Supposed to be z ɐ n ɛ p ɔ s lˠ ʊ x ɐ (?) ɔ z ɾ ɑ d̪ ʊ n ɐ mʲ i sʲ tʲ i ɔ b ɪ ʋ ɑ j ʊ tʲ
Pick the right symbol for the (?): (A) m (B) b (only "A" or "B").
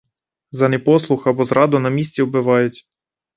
B